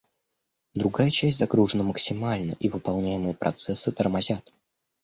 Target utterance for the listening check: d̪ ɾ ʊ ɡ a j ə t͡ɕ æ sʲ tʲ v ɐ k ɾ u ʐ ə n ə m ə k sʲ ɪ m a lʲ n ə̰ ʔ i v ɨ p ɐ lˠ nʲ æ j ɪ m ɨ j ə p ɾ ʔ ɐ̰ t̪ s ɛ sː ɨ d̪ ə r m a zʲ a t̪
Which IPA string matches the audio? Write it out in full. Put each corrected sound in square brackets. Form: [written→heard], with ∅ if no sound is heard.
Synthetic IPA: d̪ ɾ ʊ ɡ a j ə t͡ɕ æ sʲ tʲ [v→z] ɐ [k→ɡ] ɾ u ʐ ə n ə m ə k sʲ ɪ m a lʲ n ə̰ ʔ i v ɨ p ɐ lˠ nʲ æ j ɪ m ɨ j ə p ɾ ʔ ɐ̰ t̪ s ɛ sː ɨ [d̪→t̪] ə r m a zʲ a t̪

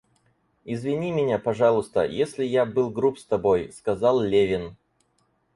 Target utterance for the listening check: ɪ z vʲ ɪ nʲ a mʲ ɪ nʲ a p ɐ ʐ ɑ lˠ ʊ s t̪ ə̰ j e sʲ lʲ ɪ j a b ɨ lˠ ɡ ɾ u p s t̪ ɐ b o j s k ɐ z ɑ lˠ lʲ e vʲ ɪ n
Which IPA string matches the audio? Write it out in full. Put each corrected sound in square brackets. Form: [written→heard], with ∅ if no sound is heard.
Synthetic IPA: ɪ z vʲ ɪ nʲ [a→i] mʲ ɪ nʲ a p ɐ ʐ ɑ lˠ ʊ s t̪ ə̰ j e sʲ lʲ ɪ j a b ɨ lˠ ɡ ɾ u p s t̪ ɐ b o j s k ɐ z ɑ lˠ lʲ e vʲ ɪ n

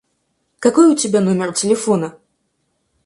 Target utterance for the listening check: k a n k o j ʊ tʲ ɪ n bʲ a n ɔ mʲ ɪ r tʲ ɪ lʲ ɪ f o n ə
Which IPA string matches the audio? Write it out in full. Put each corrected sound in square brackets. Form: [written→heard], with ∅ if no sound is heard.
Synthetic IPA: k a [n→∅] k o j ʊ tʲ ɪ [n→∅] bʲ a n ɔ mʲ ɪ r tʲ ɪ lʲ ɪ f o n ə

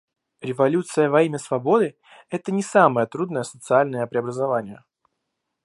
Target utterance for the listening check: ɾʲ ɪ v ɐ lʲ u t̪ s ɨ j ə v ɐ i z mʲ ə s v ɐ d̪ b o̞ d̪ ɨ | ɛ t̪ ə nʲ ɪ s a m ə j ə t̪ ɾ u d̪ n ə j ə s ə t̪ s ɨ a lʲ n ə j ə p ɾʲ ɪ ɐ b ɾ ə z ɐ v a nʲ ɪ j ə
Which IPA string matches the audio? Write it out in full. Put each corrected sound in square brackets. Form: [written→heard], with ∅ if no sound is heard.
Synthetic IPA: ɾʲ ɪ v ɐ lʲ u t̪ s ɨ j ə v ɐ i [z→∅] mʲ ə s v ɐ [d̪→∅] b o̞ d̪ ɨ | ɛ t̪ ə nʲ ɪ s a m ə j ə t̪ ɾ u d̪ n ə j ə s ə t̪ s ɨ a lʲ n ə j ə p ɾʲ ɪ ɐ b ɾ ə z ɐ v a nʲ ɪ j ə

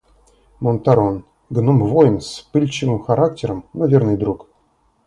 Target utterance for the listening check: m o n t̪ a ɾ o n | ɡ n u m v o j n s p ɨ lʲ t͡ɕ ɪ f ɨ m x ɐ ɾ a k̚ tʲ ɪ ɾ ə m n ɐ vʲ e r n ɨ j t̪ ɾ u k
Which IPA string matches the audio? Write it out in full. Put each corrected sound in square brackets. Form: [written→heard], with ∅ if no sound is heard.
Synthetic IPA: m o n t̪ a ɾ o n | ɡ n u m v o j n s p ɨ lʲ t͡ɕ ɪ [f→v] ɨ m x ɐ ɾ a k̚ tʲ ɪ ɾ ə m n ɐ vʲ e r n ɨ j [t̪→d̪] ɾ u k

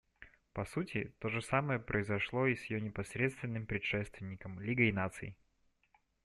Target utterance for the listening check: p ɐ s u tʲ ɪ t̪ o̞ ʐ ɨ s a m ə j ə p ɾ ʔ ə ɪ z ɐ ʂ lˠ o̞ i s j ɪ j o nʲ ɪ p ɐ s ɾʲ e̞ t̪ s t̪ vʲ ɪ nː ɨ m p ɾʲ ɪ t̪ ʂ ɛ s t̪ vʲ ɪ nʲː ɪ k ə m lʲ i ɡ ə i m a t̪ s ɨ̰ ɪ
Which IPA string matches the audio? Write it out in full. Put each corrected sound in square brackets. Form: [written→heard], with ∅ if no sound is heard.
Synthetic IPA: p ɐ s u tʲ ɪ t̪ o̞ ʐ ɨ s a m ə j ə p ɾ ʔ ə ɪ z ɐ ʂ lˠ o̞ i s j ɪ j o nʲ ɪ p ɐ s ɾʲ e̞ t̪ s t̪ vʲ ɪ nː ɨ m p ɾʲ ɪ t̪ ʂ ɛ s t̪ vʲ ɪ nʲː ɪ k ə m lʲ i ɡ ə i [m→n] a t̪ s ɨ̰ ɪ

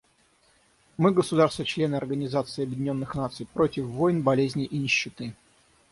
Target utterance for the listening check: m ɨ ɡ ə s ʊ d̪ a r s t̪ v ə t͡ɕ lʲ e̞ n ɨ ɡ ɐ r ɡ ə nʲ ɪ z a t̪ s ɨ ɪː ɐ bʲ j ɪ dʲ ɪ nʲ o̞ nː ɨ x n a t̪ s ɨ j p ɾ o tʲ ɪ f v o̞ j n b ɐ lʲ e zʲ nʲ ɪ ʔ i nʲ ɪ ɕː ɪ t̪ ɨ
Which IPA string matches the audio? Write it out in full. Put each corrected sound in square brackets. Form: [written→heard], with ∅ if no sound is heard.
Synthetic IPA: m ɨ ɡ ə s ʊ d̪ a r s t̪ v ə t͡ɕ lʲ e̞ n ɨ [ɡ→∅] ɐ r ɡ ə nʲ ɪ z a t̪ s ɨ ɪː ɐ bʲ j ɪ dʲ ɪ nʲ o̞ nː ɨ x n a t̪ s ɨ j p ɾ o tʲ ɪ f v o̞ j n b ɐ lʲ e zʲ nʲ ɪ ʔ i nʲ ɪ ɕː ɪ t̪ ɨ

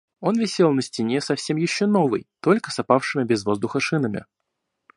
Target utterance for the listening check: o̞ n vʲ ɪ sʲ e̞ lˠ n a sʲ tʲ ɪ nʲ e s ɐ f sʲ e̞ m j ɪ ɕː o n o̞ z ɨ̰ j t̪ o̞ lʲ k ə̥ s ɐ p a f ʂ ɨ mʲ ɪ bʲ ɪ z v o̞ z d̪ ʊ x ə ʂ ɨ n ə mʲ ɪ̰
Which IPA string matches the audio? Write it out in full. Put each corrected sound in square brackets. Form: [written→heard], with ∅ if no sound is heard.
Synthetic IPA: o̞ n vʲ ɪ sʲ e̞ lˠ n [a→ə] sʲ tʲ ɪ nʲ e s ɐ f sʲ e̞ m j ɪ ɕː o n o̞ [z→v] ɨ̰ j t̪ o̞ lʲ k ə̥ s ɐ p a f ʂ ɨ mʲ ɪ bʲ ɪ z v o̞ z d̪ ʊ x ə ʂ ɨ n ə mʲ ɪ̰

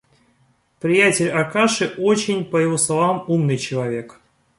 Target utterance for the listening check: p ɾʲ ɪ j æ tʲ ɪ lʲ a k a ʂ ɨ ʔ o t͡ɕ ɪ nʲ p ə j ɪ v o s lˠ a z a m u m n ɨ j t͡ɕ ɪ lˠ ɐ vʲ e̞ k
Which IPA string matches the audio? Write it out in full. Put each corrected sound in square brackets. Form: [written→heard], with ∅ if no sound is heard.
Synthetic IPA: p ɾʲ ɪ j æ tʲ ɪ lʲ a k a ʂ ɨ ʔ o t͡ɕ ɪ nʲ p ə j ɪ v o s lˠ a [z→v] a m u m n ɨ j t͡ɕ ɪ lˠ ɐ vʲ e̞ k

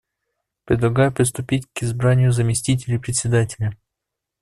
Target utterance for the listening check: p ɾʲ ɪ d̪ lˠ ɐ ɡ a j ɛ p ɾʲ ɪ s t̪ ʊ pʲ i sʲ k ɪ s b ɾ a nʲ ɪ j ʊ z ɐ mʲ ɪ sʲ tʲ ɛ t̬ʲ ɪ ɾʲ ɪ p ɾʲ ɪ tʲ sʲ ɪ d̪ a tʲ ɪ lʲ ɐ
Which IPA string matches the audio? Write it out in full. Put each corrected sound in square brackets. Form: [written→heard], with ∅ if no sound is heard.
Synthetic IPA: p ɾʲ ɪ d̪ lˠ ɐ ɡ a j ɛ p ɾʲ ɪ s t̪ ʊ pʲ i [sʲ→tʲ] k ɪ [s→z] b ɾ a nʲ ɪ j ʊ z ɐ mʲ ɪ sʲ tʲ [ɛ→i] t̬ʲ ɪ [ɾʲ→lʲ] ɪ p ɾʲ ɪ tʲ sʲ ɪ d̪ a tʲ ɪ lʲ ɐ

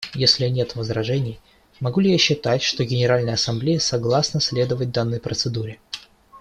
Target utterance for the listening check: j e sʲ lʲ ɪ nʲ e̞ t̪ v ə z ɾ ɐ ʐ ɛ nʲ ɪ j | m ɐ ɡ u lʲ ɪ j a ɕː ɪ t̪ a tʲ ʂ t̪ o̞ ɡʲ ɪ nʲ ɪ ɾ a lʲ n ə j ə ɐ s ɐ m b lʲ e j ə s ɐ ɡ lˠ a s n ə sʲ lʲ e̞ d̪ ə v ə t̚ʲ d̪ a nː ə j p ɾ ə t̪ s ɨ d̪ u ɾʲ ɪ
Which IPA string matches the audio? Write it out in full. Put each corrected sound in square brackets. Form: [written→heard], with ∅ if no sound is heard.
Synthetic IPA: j e sʲ lʲ ɪ nʲ e̞ t̪ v ə z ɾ ɐ ʐ ɛ nʲ ɪ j | m ɐ ɡ u lʲ ɪ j a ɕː ɪ t̪ a tʲ ʂ t̪ o̞ ɡʲ ɪ nʲ ɪ ɾ a lʲ n ə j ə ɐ s ɐ m b lʲ e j ə s ɐ ɡ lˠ a s n ə sʲ lʲ e̞ d̪ ə v ə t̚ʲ d̪ a nː ə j p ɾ ə t̪ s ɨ d̪ u ɾʲ ɪ

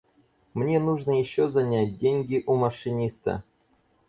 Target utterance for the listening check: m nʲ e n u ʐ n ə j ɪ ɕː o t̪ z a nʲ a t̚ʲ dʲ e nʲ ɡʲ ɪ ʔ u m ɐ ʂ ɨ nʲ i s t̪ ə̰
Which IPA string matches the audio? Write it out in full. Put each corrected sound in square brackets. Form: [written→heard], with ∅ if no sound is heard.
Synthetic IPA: m nʲ e n u ʐ n ə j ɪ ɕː o [t̪→∅] z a nʲ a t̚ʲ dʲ e nʲ ɡʲ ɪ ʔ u m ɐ ʂ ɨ nʲ i s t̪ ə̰

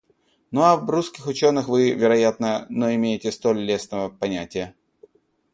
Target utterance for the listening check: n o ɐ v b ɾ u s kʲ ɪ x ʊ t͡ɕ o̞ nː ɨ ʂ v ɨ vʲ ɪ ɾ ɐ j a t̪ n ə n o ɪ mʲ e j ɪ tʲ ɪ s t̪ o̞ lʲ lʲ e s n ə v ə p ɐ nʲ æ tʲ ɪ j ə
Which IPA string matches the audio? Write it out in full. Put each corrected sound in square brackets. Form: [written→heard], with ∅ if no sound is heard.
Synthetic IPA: n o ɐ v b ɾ u s kʲ ɪ x ʊ t͡ɕ o̞ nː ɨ [ʂ→x] v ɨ vʲ ɪ ɾ ɐ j a t̪ n ə n o ɪ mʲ e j ɪ tʲ ɪ s t̪ o̞ lʲ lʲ e s n ə v ə p ɐ nʲ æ tʲ ɪ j ə

